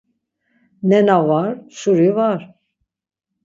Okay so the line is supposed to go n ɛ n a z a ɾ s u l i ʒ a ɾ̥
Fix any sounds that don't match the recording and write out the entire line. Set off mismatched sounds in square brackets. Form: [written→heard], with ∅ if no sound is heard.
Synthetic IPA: n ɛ n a [z→v] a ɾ s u [l→ɾ] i [ʒ→v] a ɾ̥